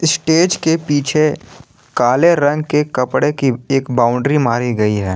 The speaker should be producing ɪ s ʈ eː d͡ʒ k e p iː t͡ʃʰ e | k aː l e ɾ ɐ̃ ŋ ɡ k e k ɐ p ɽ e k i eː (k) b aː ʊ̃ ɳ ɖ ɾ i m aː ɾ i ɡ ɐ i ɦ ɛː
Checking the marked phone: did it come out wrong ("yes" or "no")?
no